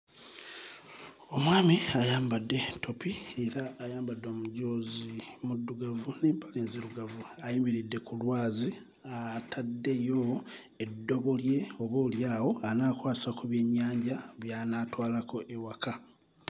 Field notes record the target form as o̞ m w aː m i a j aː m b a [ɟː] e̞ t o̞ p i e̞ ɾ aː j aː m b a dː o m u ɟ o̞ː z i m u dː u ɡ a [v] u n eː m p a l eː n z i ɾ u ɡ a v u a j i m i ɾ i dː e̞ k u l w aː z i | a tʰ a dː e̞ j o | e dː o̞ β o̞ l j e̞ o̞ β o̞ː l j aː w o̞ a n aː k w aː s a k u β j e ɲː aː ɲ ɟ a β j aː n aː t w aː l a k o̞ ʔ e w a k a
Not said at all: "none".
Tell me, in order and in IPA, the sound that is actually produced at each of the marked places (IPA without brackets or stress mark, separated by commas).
dː, v